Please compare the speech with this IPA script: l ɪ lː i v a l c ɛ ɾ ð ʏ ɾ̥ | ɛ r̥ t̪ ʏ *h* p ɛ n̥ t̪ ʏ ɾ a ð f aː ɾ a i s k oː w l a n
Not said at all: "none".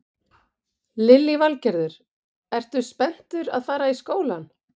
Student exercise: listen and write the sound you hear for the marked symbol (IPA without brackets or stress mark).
s